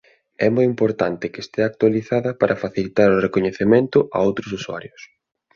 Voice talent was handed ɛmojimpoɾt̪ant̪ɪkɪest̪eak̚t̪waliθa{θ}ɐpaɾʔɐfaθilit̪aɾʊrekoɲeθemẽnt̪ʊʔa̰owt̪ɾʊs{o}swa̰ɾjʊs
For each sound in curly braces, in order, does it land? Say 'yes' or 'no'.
no, no

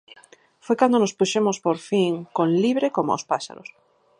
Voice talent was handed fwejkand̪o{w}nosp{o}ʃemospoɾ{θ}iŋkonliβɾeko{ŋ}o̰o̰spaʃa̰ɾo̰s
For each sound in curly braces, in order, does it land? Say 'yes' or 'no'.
no, no, no, no

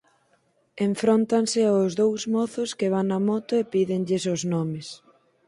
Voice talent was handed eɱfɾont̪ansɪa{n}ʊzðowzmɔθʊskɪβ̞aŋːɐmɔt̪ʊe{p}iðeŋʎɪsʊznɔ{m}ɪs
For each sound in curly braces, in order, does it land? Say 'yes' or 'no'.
no, yes, yes

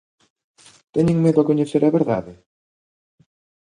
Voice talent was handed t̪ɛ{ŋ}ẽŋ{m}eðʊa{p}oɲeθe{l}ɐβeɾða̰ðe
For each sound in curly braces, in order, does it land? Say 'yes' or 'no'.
no, yes, no, no

